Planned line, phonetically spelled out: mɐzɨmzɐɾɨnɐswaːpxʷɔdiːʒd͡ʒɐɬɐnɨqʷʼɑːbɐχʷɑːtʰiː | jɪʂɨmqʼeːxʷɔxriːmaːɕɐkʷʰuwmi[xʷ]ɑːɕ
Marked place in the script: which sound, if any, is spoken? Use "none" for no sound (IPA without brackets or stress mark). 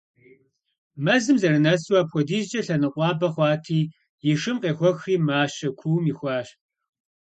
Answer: xʷ